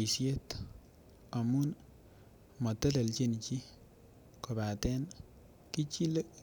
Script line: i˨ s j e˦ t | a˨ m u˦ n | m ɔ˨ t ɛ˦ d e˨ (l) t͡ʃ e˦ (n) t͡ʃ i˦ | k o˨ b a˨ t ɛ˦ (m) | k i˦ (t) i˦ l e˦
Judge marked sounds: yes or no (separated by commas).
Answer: yes, yes, no, no